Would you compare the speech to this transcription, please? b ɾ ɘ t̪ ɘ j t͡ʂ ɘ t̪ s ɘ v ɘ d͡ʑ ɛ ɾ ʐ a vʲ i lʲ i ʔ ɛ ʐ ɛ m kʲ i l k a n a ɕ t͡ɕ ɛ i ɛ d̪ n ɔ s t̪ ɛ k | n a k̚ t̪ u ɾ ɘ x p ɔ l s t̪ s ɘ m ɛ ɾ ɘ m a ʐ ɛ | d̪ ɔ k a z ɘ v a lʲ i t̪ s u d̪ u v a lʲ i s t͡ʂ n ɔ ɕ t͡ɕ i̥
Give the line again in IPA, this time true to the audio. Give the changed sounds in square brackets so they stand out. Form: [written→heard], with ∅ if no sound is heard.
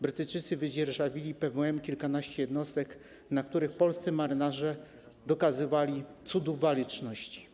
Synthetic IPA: b ɾ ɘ t̪ ɘ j t͡ʂ ɘ t̪ s ɘ v ɘ d͡ʑ ɛ ɾ ʐ a vʲ i lʲ i [ʔ→p] ɛ [ʐ→v] ɛ m kʲ i l k a n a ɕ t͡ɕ ɛ [i→j] ɛ d̪ n ɔ s t̪ ɛ k | n a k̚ t̪ u ɾ ɘ x p ɔ l s t̪ s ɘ m [ɛ→a] ɾ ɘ [m→n] a ʐ ɛ | d̪ ɔ k a z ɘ v a lʲ i t̪ s u d̪ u v a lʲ i [s→∅] t͡ʂ n ɔ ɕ t͡ɕ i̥